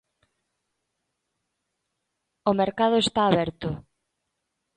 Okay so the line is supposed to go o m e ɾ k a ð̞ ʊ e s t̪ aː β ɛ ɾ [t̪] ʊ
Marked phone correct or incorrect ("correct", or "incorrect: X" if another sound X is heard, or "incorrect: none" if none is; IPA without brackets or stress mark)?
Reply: correct